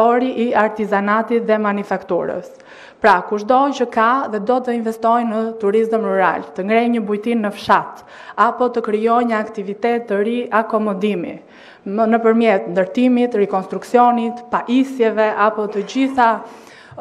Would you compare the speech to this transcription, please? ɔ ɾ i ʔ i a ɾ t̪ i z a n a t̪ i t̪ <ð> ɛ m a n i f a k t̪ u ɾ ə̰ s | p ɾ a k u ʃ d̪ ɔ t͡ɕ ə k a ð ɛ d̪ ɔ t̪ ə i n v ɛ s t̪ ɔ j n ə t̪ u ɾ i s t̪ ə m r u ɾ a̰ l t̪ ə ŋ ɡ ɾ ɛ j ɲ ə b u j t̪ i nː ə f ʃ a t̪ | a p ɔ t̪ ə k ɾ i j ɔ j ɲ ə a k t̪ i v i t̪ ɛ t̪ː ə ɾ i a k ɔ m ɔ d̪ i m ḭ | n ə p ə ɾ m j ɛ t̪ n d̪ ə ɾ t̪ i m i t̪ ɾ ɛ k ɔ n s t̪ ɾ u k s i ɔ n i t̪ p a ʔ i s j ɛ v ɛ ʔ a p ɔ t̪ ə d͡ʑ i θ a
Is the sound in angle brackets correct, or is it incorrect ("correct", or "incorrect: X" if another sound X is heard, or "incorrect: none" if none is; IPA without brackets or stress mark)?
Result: correct